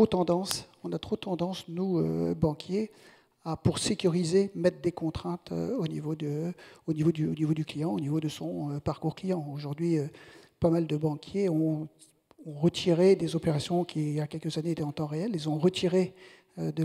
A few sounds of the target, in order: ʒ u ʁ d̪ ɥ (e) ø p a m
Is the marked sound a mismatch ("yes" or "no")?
yes